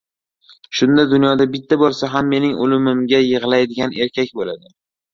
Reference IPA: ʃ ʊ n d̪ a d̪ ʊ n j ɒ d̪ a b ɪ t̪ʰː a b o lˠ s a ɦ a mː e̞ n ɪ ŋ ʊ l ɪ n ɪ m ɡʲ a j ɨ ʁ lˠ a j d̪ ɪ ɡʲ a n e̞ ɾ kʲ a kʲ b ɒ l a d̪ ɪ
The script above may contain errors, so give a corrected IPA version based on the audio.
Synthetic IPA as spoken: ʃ ʊ n d̪ a d̪ ʊ n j ɒ d̪ a b ɪ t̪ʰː a b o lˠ s a ɦ a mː e̞ n ɪ ŋ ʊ l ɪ m ɪ m ɡʲ a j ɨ ʁ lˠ a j d̪ ɪ ɡʲ a n e̞ ɾ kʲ a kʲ b o l a d̪ ɪ